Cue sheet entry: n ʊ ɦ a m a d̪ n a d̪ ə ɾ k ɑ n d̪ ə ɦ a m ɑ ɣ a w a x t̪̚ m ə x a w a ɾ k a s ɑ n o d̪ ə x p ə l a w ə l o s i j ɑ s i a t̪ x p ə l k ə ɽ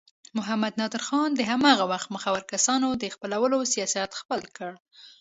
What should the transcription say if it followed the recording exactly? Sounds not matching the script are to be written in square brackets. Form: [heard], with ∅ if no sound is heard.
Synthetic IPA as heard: [m] ʊ ɦ a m a d̪ n [ɑ] d̪ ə ɾ [x] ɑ n d̪ ə ɦ a m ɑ ɣ a w a x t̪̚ m ə x a w a ɾ k a s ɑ n o d̪ ə x p ə l a w ə l o s i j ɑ s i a t̪ x p ə l k ə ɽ

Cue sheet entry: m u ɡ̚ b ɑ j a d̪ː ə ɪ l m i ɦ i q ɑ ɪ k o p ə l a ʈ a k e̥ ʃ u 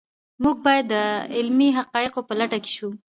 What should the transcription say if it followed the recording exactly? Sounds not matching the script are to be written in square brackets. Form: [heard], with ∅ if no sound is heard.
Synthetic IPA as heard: m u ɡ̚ b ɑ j a d̪ː ə ɪ l m i ɦ [a] q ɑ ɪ [q] o p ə l a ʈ a k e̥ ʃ u

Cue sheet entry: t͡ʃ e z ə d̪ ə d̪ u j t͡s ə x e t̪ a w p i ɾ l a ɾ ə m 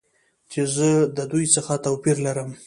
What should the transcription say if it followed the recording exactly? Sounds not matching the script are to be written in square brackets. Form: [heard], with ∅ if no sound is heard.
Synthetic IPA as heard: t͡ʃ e z ə d̪ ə d̪ u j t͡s ə x [a] t̪ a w p i ɾ l a ɾ ə m

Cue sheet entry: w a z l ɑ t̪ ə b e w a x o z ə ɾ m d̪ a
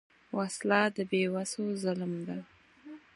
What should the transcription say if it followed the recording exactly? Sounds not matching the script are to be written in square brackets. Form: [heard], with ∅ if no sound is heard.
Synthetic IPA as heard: w a [s] l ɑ [d̪] ə b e w a [s] o z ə [l] m d̪ a

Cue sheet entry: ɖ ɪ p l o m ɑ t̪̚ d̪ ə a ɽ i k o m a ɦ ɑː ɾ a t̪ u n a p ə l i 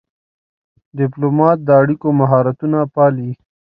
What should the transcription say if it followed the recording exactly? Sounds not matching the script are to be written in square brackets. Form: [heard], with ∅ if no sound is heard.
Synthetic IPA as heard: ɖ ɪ p l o m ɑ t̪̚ d̪ ə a ɽ i k o m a ɦ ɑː ɾ a t̪ u n a p [ɑ] l i

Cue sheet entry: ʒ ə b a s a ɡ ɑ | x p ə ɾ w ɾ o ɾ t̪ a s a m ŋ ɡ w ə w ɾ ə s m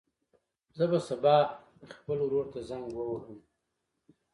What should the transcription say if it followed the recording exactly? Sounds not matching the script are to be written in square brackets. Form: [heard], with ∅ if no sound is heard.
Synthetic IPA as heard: [z] ə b a s a [b] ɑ | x p ə [l] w ɾ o ɾ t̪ a [z] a [∅] ŋ ɡ w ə w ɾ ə [∅] m

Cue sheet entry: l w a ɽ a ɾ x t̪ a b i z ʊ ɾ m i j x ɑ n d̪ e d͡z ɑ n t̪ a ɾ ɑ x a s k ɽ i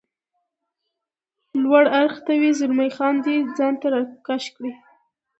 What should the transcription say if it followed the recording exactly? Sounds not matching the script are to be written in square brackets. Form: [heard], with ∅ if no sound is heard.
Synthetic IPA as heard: l w a ɽ a ɾ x t̪ a [w] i z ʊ ɾ m [a] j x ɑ n d̪ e d͡z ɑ n t̪ a ɾ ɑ [k] a [ʃ] k ɽ i

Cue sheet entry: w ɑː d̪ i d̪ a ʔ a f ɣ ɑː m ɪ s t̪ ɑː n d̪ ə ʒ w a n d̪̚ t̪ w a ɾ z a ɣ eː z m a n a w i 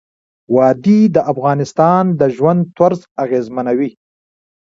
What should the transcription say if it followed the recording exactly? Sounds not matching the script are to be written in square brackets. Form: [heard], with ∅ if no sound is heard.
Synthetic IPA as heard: w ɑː d̪ i d̪ [ə] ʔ a f ɣ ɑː [n] ɪ s t̪ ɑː n d̪ ə ʒ w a n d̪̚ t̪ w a ɾ z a ɣ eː z m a n a w i

